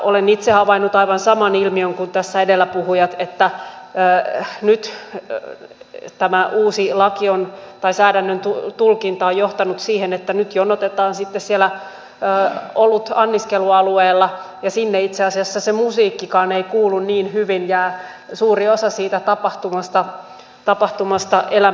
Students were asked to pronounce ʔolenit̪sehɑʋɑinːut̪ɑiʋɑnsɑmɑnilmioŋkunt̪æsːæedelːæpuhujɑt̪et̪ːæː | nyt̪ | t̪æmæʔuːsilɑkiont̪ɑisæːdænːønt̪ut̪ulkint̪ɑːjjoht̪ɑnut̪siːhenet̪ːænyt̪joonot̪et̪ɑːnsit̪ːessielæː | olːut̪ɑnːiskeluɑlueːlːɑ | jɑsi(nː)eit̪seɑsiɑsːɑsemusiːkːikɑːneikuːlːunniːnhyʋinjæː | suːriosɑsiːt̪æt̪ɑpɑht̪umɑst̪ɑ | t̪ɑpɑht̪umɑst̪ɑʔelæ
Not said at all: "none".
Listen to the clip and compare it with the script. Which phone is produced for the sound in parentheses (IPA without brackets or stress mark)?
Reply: nː